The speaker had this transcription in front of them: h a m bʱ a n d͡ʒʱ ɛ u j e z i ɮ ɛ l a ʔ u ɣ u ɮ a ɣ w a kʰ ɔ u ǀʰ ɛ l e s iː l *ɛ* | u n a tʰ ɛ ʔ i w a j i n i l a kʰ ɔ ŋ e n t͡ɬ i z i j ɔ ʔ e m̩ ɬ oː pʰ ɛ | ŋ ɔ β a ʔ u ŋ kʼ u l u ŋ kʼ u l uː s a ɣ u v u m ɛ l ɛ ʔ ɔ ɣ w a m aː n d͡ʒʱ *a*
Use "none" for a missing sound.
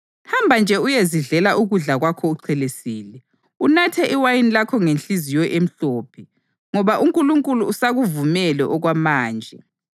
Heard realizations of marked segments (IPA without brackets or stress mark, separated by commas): ɛ, ɛ